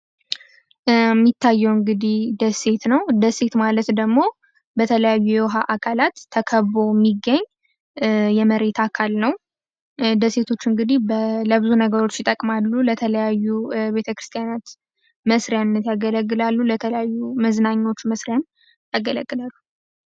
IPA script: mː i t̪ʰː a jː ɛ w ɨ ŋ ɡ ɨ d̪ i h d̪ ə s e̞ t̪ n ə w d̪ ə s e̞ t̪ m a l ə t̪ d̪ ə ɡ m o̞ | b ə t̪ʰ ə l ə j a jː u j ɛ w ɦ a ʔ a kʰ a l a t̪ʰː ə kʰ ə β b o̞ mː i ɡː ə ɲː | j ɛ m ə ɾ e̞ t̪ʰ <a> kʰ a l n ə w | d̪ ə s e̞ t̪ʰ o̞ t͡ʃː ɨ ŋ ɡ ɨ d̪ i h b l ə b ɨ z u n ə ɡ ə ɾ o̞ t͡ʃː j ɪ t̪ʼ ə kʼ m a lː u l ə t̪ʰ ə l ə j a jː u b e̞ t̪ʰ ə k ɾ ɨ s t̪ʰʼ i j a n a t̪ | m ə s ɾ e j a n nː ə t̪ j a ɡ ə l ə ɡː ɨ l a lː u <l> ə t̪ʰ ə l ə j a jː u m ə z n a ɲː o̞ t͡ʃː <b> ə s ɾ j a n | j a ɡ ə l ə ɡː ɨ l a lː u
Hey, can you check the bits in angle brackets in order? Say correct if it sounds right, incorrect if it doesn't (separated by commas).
correct, correct, incorrect